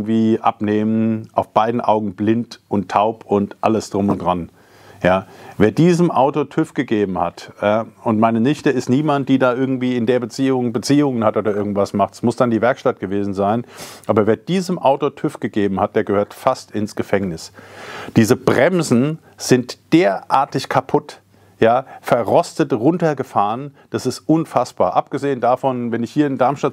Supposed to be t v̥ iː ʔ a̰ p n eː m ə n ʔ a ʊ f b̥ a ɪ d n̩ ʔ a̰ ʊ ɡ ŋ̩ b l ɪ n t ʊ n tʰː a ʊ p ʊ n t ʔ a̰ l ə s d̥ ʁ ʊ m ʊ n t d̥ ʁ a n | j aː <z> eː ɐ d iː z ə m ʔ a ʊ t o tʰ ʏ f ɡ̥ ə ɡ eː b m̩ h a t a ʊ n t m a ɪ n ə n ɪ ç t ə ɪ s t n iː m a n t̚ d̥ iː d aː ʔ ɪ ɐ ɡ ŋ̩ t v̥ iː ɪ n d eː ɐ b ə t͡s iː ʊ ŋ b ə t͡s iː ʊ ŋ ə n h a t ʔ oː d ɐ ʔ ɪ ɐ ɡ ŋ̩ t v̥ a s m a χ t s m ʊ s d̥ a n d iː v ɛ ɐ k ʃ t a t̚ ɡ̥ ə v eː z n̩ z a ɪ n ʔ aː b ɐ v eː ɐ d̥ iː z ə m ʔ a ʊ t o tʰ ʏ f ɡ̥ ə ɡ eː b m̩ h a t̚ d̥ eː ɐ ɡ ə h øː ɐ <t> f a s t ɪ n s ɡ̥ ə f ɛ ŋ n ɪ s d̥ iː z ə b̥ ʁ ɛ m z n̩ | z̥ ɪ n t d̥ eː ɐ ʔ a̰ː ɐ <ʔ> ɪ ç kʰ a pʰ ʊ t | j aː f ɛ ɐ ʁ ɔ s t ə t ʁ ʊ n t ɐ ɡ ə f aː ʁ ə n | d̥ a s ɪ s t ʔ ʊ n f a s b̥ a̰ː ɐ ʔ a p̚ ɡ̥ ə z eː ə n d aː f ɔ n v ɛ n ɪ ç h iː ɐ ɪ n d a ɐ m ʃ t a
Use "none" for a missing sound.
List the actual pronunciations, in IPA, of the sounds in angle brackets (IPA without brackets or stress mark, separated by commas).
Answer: v, t, t